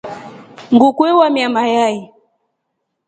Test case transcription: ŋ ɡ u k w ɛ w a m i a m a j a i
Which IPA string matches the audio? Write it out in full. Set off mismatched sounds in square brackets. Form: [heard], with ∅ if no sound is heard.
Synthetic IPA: ŋ ɡ u k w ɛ w a m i a m a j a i

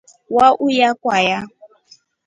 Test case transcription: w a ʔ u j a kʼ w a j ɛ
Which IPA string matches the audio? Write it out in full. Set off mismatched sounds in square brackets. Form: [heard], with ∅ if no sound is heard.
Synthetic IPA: w a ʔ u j a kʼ w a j [a]

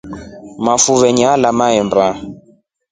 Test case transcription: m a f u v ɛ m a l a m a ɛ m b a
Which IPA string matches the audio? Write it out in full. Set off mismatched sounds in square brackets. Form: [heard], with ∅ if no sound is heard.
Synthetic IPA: m a f u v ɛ [ɲ] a l a m a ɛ m b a

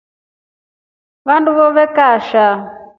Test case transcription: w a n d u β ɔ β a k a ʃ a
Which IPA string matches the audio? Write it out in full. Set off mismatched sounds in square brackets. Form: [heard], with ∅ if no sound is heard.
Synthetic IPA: [β] a n d u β ɔ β [ɛ] k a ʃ a

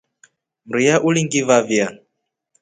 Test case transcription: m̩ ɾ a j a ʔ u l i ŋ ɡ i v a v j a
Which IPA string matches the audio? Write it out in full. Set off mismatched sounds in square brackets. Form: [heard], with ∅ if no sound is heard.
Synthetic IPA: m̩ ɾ [i] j a ʔ u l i ŋ ɡ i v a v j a

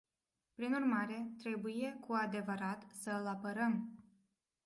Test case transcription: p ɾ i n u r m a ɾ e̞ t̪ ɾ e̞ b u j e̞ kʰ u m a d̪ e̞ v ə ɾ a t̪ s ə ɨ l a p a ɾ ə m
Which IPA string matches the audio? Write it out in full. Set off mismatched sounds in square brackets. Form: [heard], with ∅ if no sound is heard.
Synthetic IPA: p ɾ i n u r m a ɾ e̞ t̪ ɾ e̞ b u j e̞ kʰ u [∅] a d̪ e̞ v ə ɾ a t̪ s ə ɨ l a p [ə] ɾ ə m

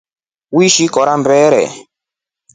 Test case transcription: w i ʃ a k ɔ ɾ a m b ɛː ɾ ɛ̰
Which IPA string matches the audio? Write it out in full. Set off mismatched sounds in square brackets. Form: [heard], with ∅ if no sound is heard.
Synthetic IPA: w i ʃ [i] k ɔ ɾ a m b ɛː ɾ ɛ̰

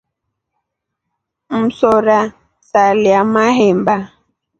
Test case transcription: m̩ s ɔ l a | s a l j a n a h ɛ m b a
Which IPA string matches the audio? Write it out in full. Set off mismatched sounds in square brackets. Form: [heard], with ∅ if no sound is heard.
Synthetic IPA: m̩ s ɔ [ɾ] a | s a l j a [m] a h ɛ m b a

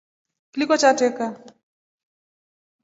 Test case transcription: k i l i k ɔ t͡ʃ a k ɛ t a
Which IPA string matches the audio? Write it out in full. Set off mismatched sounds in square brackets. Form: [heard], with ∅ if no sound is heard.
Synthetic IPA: k i l i k ɔ t͡ʃ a [t] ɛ [k] a

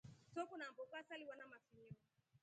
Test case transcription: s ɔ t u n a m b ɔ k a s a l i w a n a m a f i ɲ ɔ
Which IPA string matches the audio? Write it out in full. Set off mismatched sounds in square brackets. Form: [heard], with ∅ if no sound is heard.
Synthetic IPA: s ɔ [k] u n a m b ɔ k a s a l i w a n a m a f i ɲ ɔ

